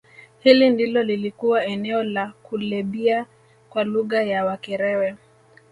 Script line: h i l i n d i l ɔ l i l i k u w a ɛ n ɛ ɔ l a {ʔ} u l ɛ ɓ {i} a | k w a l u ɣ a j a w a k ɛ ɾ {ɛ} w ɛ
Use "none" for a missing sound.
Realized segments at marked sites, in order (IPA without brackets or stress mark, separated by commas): k, i, ɛ